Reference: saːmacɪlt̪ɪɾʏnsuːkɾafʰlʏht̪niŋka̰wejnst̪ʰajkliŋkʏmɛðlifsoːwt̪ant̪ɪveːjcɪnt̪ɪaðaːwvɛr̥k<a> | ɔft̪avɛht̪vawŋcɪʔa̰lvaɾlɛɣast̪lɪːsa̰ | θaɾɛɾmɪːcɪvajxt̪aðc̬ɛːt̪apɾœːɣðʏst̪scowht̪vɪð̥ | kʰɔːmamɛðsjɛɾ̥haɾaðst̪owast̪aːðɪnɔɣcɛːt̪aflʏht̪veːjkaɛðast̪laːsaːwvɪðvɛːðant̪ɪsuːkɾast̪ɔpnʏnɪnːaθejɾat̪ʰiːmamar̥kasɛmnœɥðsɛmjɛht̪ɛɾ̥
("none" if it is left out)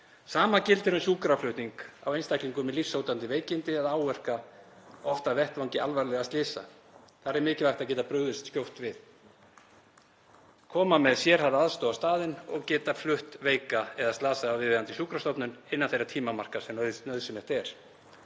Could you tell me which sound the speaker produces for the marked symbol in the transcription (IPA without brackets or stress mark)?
a